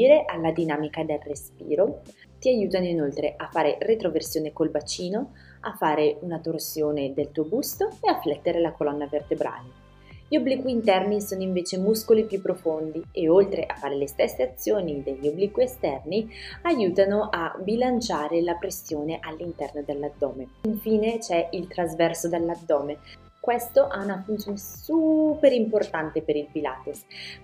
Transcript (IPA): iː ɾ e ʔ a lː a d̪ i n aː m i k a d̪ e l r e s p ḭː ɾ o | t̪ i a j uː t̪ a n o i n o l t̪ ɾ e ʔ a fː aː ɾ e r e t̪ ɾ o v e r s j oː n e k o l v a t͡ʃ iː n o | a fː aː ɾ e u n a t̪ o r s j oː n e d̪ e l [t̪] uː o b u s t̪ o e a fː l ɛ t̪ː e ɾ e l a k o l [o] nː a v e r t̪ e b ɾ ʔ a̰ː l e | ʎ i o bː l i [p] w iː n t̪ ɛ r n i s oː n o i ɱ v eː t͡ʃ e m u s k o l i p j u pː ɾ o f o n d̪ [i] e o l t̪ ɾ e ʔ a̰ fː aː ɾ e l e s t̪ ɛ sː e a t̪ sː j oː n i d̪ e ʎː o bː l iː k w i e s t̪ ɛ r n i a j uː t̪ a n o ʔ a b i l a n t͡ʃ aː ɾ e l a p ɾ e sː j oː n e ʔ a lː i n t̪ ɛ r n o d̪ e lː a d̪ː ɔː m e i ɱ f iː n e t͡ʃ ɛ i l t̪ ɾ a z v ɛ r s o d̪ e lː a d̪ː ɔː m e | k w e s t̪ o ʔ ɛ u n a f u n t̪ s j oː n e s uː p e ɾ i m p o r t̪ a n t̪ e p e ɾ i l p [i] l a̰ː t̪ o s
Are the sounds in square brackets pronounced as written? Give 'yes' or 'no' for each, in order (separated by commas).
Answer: yes, no, no, yes, yes